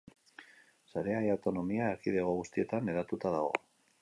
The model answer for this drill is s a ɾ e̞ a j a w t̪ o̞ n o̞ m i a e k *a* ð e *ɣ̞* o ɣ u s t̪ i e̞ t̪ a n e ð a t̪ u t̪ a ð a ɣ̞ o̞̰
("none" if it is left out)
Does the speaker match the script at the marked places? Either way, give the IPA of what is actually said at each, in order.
i, ɣ̞

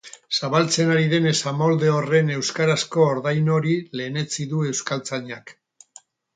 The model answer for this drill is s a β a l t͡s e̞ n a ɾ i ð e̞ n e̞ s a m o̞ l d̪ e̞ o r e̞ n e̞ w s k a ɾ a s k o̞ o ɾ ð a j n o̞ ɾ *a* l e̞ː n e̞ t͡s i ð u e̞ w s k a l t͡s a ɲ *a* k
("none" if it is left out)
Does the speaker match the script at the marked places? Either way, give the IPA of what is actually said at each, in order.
i, a

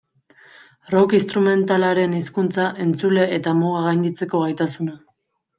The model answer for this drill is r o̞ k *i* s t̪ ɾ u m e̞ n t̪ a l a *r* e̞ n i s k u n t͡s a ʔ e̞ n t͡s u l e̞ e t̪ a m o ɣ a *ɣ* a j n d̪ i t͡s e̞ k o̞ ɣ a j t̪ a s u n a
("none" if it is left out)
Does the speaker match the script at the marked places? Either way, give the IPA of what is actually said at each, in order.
i, ɾ, ɣ

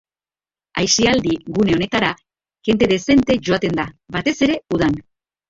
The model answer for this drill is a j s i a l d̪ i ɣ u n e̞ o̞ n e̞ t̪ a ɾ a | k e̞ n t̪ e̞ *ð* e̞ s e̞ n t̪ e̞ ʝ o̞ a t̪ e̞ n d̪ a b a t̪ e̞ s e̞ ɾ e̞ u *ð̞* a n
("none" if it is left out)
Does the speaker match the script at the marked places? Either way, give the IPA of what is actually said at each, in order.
ð, ð̞

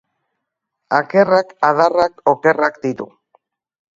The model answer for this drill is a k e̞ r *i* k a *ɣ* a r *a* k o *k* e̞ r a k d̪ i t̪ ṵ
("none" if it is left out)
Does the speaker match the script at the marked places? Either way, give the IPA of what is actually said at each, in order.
a, ð, a, k

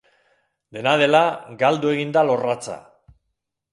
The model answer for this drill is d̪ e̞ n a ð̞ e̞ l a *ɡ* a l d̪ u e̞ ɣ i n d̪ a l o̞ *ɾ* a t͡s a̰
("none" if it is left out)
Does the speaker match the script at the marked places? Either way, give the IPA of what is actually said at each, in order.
ɡ, r

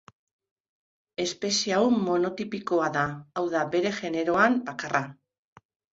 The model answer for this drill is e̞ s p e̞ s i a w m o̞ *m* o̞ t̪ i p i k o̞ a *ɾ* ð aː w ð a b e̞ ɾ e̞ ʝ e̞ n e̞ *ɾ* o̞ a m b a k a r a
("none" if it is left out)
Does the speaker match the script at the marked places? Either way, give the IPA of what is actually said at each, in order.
n, none, ɾ

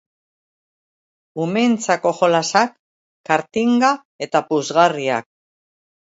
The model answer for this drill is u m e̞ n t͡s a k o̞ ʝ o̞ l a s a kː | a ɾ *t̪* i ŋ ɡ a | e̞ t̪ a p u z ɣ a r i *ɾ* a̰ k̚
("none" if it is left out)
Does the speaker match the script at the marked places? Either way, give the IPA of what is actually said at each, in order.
t̪, none

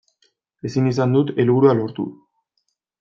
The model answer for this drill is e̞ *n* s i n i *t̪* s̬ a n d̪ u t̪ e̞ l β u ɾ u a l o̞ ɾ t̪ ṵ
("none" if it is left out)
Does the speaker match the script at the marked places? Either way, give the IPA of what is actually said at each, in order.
none, none

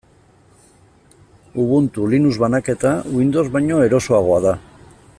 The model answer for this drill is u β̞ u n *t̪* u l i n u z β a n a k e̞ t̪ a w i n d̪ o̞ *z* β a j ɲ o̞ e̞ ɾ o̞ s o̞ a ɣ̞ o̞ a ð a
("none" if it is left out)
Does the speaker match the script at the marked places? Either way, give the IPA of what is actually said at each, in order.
t̪, z

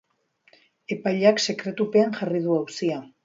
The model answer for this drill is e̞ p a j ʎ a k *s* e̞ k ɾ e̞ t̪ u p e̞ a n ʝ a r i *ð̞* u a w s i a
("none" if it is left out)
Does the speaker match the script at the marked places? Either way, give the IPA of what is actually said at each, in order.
s, ð̞

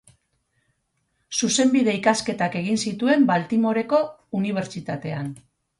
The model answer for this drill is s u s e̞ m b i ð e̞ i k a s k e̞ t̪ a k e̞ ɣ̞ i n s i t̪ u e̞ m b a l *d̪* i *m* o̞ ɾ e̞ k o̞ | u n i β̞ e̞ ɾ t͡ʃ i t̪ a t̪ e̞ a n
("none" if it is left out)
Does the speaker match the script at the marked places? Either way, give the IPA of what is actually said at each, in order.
t̪, m

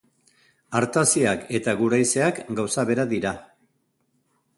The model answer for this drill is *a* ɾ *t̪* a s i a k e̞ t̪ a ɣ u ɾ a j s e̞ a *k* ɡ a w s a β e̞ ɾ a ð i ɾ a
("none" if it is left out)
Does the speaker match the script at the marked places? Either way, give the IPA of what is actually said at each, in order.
a, t̪, k

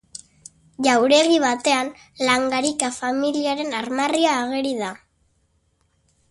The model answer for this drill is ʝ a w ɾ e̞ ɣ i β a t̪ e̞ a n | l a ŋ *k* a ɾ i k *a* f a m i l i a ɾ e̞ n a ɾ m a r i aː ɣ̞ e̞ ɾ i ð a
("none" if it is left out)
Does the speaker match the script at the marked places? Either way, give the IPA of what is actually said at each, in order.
ɡ, a

